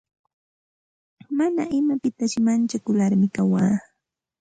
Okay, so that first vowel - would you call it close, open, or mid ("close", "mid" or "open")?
open